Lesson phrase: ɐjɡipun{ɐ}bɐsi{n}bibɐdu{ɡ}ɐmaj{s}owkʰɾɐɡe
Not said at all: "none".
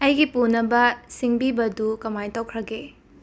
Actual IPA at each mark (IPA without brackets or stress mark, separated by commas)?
ɐ, ŋ, k, t